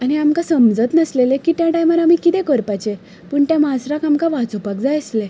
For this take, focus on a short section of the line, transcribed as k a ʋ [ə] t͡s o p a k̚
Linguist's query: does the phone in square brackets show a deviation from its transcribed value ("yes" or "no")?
yes